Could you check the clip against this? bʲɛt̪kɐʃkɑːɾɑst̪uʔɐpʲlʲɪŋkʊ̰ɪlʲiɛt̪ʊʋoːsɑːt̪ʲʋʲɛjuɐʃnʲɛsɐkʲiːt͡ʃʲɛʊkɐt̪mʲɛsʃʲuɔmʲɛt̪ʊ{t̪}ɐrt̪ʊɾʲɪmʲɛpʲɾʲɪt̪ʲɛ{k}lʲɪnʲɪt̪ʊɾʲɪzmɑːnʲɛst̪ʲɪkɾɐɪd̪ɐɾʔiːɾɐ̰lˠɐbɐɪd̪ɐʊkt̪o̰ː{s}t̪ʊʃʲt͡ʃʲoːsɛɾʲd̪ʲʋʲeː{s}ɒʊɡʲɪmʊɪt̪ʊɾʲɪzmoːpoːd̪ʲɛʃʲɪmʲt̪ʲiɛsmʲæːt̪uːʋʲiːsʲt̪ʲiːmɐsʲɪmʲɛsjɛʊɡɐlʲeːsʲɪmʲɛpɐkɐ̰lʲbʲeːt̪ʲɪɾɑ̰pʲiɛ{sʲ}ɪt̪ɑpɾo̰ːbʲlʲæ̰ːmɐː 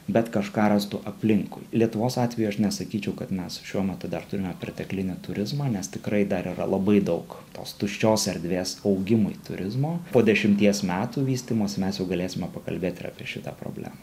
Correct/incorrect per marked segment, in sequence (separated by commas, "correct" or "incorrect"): incorrect, correct, correct, correct, incorrect